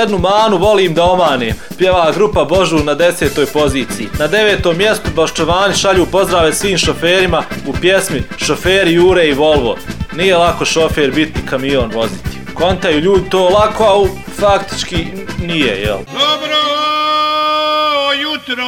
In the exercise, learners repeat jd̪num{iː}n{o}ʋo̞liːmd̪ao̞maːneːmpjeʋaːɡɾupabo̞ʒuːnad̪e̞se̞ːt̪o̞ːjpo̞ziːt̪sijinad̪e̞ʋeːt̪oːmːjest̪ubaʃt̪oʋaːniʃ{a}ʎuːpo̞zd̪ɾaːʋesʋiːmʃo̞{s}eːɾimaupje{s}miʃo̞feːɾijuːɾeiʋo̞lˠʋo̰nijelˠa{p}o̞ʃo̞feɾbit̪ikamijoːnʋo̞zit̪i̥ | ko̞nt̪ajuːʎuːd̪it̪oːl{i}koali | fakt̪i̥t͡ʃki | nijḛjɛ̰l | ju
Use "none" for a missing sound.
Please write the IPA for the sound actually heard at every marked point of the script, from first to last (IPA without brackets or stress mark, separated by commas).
aː, u, a, f, s, k, a